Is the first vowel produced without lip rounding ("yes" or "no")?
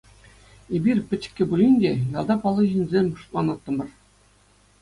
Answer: yes